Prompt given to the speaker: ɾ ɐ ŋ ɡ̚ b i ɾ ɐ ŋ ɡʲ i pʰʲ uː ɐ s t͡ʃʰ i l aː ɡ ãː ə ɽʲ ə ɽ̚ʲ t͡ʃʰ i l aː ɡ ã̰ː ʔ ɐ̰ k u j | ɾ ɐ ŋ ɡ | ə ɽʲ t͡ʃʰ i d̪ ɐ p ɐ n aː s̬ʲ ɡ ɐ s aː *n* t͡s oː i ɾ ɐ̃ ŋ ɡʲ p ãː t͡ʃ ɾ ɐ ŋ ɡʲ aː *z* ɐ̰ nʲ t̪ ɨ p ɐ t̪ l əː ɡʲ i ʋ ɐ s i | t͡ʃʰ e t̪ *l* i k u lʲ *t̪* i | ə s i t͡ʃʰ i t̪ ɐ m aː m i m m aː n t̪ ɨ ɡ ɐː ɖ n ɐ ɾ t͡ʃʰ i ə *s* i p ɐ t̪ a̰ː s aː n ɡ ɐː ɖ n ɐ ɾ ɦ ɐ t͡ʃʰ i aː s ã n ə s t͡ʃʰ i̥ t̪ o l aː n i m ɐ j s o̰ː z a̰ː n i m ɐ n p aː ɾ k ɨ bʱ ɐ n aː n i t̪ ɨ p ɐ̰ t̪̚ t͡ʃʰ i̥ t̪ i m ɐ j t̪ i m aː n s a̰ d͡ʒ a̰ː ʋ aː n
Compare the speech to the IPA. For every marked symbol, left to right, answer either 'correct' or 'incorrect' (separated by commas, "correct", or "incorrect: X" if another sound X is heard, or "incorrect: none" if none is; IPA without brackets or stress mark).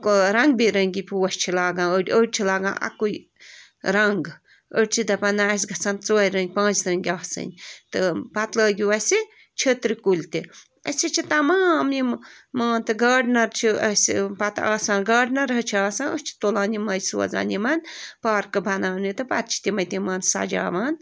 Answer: correct, incorrect: s, incorrect: ɾ, correct, correct